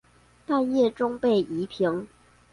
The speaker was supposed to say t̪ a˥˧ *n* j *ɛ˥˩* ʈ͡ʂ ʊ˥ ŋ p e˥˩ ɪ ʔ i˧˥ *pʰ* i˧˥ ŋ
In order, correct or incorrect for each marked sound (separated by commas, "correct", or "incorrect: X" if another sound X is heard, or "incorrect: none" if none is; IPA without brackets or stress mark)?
correct, correct, correct